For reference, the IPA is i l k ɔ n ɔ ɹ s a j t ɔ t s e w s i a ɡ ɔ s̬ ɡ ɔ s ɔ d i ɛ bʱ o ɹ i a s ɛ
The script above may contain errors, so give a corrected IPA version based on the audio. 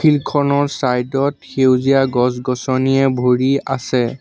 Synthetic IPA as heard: i l kʰ ɔ n ɔ ɹ s a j d ɔ t x e w z i a ɡ ɔ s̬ ɡ ɔ s ɔ n i ɛ bʱ o ɹ i a s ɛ